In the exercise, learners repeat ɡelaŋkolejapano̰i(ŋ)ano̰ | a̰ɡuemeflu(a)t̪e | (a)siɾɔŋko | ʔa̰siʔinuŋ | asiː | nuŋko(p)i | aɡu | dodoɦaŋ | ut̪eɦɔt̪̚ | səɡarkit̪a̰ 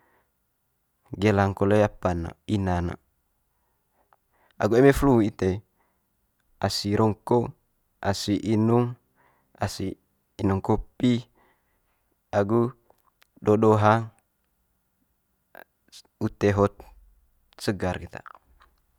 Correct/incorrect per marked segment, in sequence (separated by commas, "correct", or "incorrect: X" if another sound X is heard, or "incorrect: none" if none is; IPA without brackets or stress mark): incorrect: n, incorrect: i, correct, correct